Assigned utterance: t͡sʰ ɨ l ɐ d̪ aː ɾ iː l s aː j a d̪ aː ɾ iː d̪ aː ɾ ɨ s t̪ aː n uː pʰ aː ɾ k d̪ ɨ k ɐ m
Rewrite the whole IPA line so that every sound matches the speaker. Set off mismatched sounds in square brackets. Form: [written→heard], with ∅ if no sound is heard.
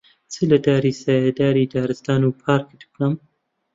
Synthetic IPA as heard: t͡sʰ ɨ l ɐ d̪ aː ɾ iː [l→∅] s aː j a d̪ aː ɾ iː d̪ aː ɾ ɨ s t̪ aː n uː pʰ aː ɾ k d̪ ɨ k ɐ m